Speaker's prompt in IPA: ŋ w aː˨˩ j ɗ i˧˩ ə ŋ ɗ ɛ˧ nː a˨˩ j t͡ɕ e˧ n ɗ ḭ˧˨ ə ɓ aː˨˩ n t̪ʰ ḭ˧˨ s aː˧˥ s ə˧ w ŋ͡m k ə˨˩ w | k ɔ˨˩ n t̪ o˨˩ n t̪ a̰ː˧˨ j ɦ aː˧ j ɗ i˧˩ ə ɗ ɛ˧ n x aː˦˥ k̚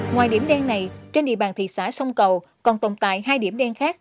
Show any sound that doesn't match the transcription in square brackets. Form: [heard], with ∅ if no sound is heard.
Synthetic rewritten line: ŋ w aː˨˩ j ɗ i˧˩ ə [m] ɗ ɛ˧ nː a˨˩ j t͡ɕ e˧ n ɗ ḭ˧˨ ə ɓ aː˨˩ n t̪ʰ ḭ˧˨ s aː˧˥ s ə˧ w ŋ͡m k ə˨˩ w | k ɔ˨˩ n t̪ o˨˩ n t̪ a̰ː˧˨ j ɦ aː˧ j ɗ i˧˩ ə ɗ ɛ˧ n x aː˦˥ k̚